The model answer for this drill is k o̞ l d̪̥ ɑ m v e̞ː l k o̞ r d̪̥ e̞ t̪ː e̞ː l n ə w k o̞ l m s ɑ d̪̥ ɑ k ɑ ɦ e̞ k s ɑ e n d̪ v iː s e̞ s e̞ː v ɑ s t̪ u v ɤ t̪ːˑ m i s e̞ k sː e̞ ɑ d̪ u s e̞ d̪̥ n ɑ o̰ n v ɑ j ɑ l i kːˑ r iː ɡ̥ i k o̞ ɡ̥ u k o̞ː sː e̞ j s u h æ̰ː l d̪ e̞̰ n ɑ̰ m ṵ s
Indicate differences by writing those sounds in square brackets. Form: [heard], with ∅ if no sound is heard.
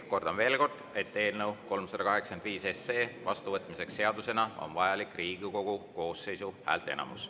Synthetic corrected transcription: k o̞ [r] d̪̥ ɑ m v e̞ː l k o̞ r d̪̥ e̞ t̪ː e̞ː l n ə w k o̞ l m s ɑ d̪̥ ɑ k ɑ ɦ e̞ k s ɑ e n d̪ v iː s e̞ s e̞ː v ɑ s t̪ u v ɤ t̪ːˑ m i s e̞ k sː e̞ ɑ d̪ u s e̞ [∅] n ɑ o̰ n v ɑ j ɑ l i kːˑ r iː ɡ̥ i k o̞ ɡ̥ u k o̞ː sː e̞ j s u h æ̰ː l [t̪] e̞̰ n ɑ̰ m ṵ s

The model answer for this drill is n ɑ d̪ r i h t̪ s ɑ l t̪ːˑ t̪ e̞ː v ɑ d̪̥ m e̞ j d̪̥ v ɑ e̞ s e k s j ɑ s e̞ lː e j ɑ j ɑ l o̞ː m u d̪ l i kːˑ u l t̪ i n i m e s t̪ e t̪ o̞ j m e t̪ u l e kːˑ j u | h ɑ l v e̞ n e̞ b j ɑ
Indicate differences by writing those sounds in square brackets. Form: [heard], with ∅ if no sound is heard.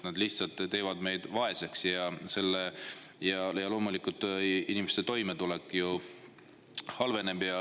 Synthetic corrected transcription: n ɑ d̪ [l] i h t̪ s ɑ l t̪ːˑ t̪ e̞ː v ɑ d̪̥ m e̞ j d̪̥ v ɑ e̞ s e k s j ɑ s e̞ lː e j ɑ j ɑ l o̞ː m u [∅] l i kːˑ u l t̪ i n i m e s t̪ e t̪ o̞ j m e t̪ u l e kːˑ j u | h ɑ l v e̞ n e̞ b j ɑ

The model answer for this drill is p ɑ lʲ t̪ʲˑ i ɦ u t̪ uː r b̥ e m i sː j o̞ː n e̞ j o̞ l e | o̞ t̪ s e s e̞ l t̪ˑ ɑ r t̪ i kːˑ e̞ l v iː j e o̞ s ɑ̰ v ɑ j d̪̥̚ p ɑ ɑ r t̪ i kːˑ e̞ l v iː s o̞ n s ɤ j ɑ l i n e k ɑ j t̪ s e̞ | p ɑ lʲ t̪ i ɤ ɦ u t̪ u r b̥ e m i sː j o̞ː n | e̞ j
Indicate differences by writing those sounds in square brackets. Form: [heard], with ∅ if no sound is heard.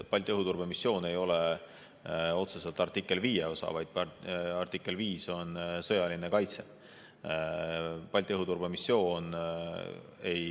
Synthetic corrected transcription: p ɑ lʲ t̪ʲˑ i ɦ u t̪ [u] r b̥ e m i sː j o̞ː n e̞ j o̞ l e | o̞ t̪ s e s e̞ l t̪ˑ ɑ r t̪ i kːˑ e̞ l v iː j e o̞ s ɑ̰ v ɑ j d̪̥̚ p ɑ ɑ r t̪ i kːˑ e̞ l v iː s o̞ n s ɤ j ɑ l i n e k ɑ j t̪ s e̞ | p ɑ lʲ t̪ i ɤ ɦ u t̪ u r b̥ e m i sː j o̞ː n | e̞ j

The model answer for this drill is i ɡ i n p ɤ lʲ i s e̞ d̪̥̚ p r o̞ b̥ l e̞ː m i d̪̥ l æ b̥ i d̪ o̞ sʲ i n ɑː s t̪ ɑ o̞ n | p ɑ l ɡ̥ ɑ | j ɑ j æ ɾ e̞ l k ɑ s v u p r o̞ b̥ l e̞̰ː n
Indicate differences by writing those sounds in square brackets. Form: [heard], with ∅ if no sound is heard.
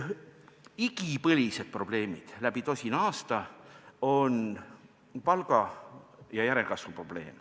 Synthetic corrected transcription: i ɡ i [∅] p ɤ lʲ i s e̞ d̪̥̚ p r o̞ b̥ l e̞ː m i d̪̥ l æ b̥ i [t̪] o̞ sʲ i n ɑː s t̪ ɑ o̞ n | p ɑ l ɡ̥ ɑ | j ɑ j æ ɾ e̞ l k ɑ s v u p r o̞ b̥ l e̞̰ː [m]

